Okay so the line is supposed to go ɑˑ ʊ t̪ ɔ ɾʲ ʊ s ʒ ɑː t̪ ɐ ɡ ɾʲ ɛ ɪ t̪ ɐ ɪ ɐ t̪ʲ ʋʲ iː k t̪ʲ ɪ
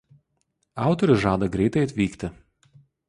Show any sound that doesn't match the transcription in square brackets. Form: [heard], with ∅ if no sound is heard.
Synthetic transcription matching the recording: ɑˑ ʊ t̪ ɔ ɾʲ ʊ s ʒ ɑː [d̪] ɐ ɡ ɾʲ ɛ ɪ t̪ ɐ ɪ ɐ t̪ʲ ʋʲ iː k t̪ʲ ɪ